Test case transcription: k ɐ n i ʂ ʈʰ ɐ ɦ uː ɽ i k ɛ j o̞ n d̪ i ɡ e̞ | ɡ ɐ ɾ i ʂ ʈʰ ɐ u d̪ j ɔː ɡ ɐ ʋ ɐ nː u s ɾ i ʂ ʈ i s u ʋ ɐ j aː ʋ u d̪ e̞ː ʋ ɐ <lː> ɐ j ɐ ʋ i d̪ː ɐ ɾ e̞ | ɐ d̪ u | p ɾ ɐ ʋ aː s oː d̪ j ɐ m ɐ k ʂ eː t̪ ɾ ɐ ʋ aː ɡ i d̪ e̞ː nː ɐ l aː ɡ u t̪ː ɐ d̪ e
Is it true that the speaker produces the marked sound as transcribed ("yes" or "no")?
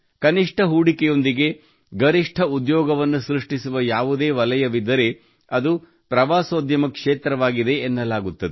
no